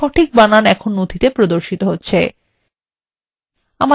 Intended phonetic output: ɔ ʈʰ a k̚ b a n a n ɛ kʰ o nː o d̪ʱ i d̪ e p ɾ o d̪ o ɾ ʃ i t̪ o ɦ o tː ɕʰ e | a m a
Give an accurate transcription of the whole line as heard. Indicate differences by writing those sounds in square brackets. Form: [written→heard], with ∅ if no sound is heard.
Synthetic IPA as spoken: ɔ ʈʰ [a→i] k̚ b a n a n ɛ kʰ o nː o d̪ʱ i [d̪→t̪] e p ɾ o d̪ o ɾ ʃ i t̪ o ɦ o tː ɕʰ e | a m a